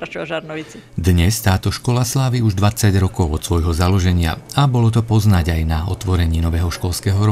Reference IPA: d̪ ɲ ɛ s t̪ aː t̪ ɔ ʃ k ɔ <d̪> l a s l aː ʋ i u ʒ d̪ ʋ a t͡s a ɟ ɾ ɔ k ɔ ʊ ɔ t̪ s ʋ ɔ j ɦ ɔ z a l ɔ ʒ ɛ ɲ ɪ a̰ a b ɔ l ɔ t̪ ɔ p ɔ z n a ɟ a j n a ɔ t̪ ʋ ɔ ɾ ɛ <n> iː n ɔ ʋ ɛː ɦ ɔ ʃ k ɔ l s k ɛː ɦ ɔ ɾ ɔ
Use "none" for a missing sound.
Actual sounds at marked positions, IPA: none, ɲ

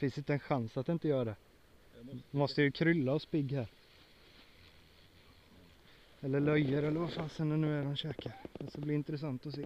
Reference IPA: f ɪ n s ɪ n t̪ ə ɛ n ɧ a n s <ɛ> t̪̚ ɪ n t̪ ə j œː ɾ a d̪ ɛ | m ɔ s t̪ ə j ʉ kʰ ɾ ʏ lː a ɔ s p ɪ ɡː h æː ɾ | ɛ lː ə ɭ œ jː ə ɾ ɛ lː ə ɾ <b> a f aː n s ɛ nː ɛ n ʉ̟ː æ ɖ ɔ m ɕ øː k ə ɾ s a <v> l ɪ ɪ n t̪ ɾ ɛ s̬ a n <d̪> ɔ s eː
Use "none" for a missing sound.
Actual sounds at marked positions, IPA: a, v, b, t̪

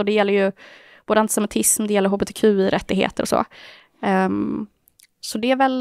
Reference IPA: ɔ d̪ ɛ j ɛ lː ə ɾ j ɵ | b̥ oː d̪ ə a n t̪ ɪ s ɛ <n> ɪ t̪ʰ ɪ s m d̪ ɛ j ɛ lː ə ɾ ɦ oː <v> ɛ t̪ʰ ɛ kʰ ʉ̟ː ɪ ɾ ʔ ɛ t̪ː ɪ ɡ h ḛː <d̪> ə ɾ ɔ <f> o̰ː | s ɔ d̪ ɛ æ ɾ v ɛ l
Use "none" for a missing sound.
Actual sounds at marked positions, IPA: m, b, t̪, s

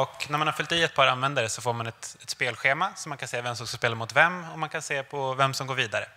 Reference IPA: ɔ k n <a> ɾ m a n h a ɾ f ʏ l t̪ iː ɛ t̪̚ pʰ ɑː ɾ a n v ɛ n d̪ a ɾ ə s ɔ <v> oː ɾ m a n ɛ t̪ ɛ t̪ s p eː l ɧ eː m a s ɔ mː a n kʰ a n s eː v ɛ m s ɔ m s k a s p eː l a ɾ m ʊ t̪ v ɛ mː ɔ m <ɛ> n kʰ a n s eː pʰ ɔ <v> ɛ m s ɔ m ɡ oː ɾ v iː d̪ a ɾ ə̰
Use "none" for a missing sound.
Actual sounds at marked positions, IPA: æ, f, a, v

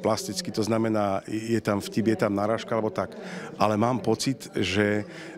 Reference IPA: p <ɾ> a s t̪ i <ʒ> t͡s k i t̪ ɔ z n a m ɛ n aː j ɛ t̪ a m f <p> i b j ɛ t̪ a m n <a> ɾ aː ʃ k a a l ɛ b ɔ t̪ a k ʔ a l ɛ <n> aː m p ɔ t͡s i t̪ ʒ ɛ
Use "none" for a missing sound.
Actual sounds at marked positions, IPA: l, none, c, a, m

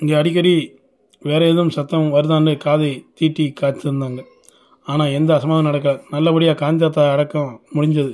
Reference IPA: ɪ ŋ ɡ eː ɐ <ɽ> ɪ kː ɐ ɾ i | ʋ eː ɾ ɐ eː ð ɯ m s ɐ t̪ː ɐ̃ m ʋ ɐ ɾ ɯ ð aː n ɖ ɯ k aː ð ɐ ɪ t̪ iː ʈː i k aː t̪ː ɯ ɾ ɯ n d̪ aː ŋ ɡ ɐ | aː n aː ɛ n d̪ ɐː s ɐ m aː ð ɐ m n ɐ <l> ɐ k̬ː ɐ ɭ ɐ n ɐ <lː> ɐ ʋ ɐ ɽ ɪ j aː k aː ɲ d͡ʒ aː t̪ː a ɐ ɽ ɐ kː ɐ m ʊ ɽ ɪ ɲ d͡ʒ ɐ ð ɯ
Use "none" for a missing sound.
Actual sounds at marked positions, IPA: ɽ, ɽ, lː

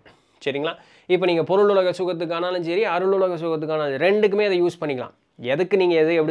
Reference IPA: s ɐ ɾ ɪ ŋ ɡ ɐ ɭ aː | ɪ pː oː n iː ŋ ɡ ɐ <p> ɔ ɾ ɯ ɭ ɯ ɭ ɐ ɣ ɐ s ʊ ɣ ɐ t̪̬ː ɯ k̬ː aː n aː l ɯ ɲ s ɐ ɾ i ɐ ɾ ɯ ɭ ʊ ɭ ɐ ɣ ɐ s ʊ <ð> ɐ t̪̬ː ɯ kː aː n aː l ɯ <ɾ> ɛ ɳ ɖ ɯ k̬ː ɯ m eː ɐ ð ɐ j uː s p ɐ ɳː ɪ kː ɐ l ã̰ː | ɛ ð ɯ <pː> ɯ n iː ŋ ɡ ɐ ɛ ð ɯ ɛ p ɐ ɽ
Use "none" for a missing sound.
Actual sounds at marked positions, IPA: p, ɣ, ɾ, kː

